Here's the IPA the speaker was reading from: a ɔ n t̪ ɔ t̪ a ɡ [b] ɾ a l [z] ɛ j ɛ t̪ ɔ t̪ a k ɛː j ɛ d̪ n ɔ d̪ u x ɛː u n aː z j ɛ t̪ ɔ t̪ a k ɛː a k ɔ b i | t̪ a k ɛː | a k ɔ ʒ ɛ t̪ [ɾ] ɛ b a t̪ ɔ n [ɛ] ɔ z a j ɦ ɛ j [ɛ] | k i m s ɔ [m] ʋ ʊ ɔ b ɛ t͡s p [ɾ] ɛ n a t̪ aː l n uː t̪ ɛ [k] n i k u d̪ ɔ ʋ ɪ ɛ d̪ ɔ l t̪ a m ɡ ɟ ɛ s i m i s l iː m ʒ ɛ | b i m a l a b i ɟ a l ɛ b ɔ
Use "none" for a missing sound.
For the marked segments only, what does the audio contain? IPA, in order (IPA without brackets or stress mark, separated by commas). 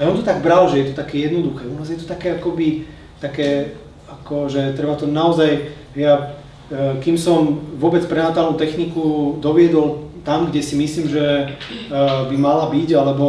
b, ʒ, ɾ, a, a, m, ɾ, x